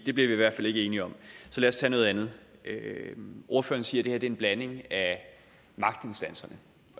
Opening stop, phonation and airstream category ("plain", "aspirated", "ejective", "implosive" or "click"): plain